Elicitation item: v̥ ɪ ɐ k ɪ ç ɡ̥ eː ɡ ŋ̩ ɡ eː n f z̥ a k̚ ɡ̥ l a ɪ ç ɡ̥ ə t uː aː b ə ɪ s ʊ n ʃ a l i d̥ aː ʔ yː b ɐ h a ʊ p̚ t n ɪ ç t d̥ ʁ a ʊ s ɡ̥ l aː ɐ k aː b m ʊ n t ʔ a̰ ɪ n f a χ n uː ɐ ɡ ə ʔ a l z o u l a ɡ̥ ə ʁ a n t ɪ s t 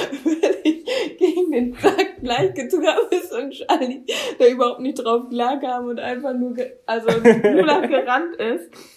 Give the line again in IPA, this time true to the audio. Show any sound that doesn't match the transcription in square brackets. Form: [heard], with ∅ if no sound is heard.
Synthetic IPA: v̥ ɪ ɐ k ɪ ç ɡ̥ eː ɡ ŋ̩ [d] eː n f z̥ a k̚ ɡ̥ l a ɪ ç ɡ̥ ə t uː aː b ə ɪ s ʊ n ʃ a l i d̥ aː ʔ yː b ɐ h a ʊ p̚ t n ɪ ç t d̥ ʁ a ʊ [f] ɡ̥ l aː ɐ k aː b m ʊ n t ʔ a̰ ɪ n f a χ n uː ɐ ɡ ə ʔ a l z o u l a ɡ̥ ə ʁ a n t ɪ s t